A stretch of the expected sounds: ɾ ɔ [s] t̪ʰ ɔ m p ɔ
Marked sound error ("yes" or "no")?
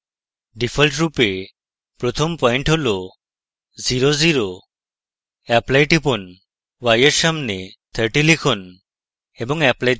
yes